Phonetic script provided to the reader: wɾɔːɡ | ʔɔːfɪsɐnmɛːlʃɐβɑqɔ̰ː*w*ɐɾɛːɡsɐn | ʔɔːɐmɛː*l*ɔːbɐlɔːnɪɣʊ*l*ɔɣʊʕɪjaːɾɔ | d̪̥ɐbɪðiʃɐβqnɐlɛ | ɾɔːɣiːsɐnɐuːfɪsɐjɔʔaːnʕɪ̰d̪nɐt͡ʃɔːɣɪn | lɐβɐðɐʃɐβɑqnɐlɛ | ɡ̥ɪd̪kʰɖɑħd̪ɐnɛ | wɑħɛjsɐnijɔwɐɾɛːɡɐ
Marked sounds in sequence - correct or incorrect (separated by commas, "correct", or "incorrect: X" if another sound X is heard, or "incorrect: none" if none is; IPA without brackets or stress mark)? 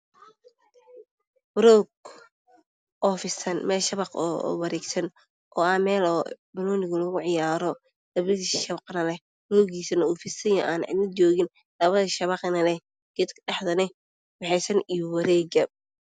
correct, correct, correct